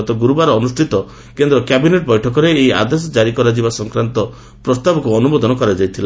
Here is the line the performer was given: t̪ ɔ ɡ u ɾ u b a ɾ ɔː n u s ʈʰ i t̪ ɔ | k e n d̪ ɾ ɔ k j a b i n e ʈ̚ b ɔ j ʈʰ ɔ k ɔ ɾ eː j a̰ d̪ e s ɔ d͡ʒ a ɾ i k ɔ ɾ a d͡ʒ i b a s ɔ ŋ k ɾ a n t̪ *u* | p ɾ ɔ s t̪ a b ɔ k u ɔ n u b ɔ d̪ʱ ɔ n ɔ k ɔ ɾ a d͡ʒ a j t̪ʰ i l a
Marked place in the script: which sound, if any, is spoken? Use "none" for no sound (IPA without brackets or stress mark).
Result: ɔ